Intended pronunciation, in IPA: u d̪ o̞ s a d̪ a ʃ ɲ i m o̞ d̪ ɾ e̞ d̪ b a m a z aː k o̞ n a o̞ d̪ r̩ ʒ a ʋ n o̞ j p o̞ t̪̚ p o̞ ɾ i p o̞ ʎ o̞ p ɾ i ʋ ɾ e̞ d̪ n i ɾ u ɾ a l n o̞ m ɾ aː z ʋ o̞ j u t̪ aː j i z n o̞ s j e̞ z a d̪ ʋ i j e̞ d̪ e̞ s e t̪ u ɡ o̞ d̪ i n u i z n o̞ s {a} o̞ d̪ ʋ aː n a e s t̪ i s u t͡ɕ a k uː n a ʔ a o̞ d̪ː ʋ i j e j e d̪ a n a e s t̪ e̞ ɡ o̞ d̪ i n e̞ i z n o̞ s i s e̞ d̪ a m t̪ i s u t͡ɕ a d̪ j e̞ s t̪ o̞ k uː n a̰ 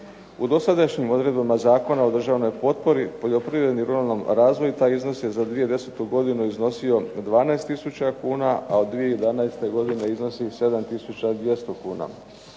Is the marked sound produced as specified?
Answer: no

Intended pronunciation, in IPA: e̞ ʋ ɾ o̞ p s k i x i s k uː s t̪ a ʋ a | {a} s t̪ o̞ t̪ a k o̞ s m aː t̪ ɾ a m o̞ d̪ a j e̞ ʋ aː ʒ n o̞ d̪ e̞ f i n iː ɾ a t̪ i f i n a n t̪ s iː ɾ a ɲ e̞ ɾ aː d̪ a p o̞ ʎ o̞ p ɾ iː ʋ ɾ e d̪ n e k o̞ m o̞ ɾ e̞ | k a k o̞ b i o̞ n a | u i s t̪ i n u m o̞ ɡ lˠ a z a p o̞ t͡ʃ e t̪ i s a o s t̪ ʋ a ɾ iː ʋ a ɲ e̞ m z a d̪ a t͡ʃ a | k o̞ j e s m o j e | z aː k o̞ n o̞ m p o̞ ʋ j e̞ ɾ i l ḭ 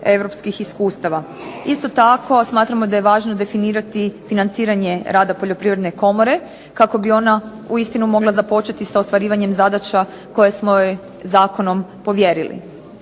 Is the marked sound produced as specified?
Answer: no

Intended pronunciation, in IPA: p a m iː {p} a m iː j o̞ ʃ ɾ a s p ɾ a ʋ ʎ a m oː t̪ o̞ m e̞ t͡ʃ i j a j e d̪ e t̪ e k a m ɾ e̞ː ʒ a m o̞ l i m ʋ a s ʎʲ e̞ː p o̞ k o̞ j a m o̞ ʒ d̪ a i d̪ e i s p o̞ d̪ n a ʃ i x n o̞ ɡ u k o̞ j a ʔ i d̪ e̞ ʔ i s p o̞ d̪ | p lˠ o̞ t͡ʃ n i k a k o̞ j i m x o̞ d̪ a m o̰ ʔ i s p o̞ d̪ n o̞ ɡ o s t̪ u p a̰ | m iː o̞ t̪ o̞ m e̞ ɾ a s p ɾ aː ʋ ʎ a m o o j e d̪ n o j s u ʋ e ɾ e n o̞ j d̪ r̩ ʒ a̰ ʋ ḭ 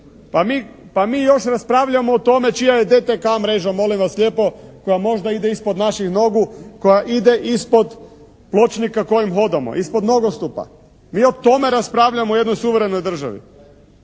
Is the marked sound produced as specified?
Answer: yes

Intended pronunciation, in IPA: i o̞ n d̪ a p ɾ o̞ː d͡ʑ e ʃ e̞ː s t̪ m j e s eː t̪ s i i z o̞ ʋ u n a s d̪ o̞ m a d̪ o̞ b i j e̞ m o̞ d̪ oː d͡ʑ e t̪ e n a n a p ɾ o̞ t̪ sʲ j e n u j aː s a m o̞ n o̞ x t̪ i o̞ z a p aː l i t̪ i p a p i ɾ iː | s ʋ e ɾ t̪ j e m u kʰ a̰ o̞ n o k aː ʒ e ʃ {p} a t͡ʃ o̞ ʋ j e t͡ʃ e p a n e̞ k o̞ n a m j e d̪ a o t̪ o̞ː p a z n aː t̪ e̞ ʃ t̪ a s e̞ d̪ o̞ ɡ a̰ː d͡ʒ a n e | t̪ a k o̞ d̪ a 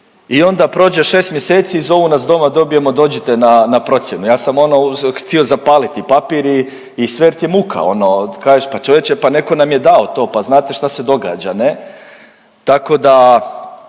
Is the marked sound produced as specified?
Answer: yes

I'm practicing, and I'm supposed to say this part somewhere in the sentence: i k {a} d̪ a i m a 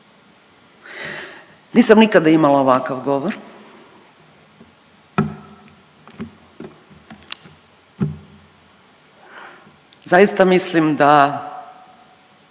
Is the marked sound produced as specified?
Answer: yes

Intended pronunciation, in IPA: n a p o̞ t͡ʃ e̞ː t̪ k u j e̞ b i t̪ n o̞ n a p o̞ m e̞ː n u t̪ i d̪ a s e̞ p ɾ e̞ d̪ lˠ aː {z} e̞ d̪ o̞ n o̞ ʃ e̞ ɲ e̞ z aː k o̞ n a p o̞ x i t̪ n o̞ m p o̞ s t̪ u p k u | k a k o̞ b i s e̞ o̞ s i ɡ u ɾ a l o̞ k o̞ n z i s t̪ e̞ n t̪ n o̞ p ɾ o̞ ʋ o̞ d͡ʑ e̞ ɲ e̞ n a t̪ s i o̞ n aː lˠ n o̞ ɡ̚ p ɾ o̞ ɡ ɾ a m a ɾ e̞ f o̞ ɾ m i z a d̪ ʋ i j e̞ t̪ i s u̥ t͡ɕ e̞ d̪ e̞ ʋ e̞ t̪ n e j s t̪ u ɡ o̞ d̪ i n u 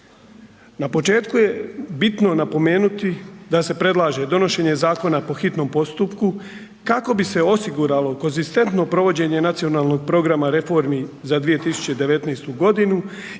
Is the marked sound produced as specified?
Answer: no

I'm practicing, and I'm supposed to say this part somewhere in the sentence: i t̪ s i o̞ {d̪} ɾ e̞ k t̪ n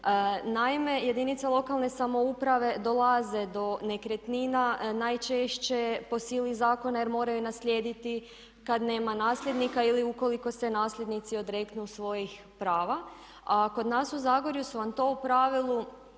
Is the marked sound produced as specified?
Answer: yes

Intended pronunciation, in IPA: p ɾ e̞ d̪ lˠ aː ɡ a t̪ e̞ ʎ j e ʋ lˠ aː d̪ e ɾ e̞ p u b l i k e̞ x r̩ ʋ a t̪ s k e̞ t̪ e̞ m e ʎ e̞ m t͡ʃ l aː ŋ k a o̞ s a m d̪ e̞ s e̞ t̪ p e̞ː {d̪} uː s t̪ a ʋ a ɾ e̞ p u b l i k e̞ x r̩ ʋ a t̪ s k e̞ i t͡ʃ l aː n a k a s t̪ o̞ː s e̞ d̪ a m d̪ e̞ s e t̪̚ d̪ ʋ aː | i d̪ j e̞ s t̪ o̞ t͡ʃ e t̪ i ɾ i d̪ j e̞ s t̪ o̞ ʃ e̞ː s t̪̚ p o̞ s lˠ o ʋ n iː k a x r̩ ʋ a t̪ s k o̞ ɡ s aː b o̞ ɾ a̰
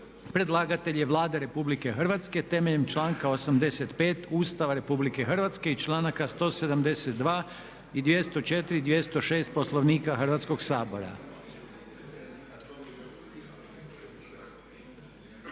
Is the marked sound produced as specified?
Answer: no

